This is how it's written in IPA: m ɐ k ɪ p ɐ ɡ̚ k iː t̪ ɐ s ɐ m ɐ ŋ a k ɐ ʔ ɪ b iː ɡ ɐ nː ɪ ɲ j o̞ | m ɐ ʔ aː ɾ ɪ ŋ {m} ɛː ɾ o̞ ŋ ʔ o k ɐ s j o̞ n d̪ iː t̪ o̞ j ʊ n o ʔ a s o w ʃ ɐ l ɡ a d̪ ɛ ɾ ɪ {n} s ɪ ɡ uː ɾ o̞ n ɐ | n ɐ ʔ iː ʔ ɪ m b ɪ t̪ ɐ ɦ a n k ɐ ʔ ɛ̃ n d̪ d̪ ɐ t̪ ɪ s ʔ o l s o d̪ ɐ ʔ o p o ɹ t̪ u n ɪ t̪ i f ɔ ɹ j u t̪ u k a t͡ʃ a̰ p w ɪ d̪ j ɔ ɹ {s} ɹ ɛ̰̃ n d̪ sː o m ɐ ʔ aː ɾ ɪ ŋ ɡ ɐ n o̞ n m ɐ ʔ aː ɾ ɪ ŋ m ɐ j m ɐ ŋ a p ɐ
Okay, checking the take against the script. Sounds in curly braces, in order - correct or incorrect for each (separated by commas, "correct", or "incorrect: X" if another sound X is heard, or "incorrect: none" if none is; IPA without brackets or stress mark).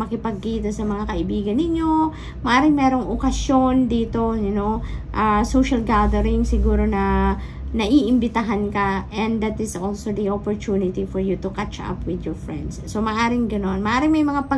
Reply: correct, incorrect: ŋ, incorrect: f